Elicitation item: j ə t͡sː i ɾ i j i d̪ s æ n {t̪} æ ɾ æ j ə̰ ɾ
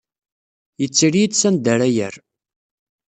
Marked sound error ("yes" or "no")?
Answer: yes